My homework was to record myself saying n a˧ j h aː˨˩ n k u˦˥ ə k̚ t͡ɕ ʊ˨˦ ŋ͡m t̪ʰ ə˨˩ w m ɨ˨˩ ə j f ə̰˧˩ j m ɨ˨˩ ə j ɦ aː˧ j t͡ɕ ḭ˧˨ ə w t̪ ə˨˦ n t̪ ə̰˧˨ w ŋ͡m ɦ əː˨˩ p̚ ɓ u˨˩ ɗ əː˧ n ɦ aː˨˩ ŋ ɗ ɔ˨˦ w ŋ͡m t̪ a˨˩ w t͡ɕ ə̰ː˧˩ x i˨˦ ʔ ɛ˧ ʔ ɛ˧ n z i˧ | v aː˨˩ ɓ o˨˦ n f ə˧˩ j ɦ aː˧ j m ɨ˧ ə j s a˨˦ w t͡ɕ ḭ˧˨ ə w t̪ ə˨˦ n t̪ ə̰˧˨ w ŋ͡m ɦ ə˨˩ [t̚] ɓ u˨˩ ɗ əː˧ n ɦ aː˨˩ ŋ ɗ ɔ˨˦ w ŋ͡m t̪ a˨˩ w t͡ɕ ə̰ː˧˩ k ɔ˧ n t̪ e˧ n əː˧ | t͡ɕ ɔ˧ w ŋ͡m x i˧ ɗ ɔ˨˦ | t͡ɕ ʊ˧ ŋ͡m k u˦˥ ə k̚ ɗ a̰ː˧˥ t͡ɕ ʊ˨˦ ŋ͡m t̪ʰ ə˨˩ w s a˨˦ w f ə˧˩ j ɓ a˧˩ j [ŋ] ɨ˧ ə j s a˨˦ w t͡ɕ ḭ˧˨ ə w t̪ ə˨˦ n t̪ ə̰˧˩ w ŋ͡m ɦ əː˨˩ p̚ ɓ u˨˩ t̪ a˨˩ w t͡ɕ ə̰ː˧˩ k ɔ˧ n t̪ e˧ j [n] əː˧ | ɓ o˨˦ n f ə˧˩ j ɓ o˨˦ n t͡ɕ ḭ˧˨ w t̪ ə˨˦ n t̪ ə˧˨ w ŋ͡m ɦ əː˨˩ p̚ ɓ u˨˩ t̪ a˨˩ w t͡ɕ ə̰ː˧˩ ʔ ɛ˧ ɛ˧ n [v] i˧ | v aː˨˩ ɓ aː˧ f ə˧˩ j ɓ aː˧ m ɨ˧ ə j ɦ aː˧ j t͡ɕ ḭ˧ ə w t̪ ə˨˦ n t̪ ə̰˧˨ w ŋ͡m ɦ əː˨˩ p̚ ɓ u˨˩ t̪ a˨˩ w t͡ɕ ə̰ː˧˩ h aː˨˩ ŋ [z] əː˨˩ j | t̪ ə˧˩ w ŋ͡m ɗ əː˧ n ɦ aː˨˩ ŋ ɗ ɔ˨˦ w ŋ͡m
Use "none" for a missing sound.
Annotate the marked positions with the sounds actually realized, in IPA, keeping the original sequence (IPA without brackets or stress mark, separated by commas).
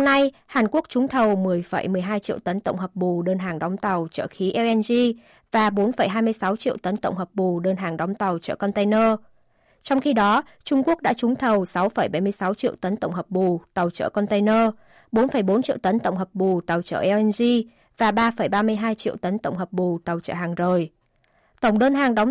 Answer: p̚, m, n, z, z